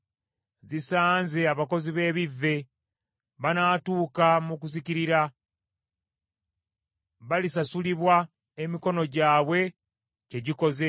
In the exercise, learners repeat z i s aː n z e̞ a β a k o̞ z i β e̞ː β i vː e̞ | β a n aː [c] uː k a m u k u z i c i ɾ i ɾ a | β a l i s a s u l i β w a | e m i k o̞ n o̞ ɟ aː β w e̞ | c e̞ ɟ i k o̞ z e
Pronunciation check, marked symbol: incorrect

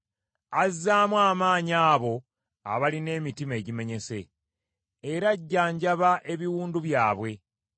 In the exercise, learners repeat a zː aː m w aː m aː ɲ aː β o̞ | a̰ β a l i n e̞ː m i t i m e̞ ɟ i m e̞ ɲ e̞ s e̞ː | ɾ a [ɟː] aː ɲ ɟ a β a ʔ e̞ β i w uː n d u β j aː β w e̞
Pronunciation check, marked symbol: correct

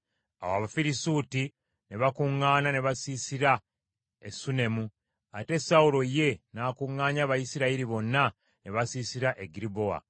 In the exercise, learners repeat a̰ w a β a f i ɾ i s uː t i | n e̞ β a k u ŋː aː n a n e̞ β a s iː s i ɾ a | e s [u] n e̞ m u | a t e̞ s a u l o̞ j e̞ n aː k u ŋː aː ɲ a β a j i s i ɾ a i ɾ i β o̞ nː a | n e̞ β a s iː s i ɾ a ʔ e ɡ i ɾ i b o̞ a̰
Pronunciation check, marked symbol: correct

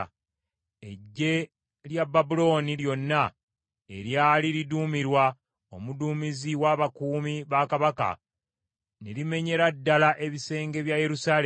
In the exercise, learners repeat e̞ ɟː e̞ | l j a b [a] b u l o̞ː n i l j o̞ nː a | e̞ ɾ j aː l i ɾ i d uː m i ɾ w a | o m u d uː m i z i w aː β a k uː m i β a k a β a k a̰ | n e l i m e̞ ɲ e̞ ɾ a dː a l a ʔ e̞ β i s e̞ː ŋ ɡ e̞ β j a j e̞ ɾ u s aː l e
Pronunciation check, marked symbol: correct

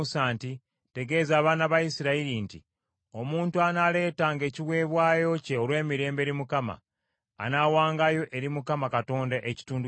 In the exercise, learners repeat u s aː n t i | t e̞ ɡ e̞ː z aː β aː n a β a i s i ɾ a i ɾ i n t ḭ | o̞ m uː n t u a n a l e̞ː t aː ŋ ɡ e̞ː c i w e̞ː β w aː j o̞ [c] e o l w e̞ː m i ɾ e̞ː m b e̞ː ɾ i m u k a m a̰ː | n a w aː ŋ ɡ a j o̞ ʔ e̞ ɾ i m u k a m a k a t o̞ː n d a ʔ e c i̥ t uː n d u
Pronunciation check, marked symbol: correct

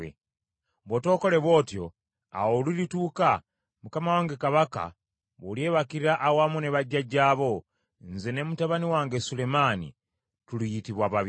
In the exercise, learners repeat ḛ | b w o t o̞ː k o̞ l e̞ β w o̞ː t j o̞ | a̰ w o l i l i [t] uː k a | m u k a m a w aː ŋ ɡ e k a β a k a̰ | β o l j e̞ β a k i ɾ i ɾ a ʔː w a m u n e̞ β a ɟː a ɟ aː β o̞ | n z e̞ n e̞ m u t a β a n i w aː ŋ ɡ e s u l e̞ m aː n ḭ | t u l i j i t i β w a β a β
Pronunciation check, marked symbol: correct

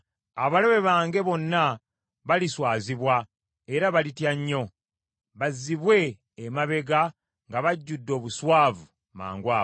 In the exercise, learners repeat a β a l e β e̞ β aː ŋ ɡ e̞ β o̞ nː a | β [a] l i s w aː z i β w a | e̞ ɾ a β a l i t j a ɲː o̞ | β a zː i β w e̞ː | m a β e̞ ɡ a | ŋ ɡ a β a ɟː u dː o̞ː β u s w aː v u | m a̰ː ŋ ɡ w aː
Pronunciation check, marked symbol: correct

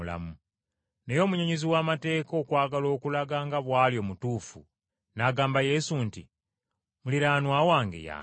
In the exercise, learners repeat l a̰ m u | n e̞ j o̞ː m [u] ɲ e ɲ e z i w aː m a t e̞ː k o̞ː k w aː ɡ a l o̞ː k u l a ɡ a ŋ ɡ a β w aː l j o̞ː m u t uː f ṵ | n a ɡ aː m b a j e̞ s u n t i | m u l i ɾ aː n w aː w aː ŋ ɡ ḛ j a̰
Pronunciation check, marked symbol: correct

